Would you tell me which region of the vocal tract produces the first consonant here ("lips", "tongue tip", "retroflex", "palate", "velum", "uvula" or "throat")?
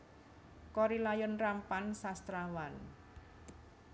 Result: velum